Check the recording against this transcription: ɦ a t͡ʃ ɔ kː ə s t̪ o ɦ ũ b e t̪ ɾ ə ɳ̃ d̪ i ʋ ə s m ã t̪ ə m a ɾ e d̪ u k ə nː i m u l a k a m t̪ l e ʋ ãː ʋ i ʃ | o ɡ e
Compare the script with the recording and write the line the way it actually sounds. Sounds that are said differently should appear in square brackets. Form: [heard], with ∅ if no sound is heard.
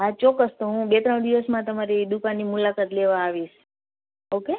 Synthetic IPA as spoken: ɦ a t͡ʃ ɔ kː ə s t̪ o ɦ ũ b e t̪ ɾ ə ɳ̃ d̪ i ʋ ə s m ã t̪ ə m a ɾ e d̪ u k [a] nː i m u l a k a [∅] t̪ l e ʋ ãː ʋ i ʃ | o [k] e